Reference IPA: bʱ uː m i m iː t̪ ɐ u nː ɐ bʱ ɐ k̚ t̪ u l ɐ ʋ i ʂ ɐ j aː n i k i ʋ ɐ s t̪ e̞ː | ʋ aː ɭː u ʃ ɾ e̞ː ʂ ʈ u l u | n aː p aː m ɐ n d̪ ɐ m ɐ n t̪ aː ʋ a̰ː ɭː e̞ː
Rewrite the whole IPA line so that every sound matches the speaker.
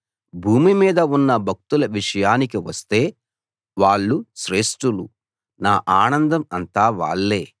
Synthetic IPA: bʱ uː m i m iː d̪ ɐ u nː ɐ bʱ ɐ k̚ t̪ u l ɐ ʋ i ʂ ɐ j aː n i k i ʋ ɐ s t̪ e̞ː | ʋ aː ɭː u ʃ ɾ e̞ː ʂ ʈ u l u | n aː ʔ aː n ɐ n d̪ ɐ m ɐ n t̪ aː ʋ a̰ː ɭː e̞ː